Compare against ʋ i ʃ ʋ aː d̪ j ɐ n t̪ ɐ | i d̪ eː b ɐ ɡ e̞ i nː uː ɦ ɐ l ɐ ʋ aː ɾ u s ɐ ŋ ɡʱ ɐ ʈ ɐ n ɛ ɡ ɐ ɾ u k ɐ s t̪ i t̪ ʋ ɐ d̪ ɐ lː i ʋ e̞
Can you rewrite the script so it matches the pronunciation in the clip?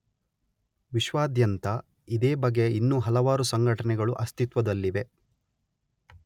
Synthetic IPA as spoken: ʋ i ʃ ʋ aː d̪ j ɐ n t̪ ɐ | i d̪ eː b ɐ ɡ e̞ i nː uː ɦ ɐ l ɐ ʋ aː ɾ u s ɐ ŋ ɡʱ ɐ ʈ ɐ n ɛ ɡ ɐ ɭ u ʔ ɐ s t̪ i t̪ ʋ ɐ d̪ ɐ lː i ʋ e̞

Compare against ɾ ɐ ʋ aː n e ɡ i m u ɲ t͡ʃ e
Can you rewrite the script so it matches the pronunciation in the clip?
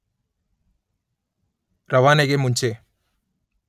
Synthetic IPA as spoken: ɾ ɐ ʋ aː n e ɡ e m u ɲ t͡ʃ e

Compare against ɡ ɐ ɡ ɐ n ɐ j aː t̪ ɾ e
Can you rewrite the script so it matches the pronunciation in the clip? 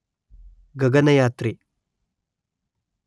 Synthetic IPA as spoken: ɡ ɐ ɡ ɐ n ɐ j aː t̪ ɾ i

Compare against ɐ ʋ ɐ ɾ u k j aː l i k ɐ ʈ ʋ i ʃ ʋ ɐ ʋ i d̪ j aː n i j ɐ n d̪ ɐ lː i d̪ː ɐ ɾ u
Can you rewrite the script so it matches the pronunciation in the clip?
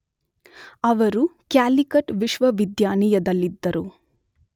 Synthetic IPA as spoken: ɐ ʋ ɐ ɾ u k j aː l i k ɐ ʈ ʋ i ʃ ʋ ɐ ʋ i d̪ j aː n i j ɐ d̪ ɐ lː i d̪ː ɐ ɾ u

